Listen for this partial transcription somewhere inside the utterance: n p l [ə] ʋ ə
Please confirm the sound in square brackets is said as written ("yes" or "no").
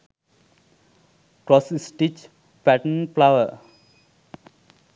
no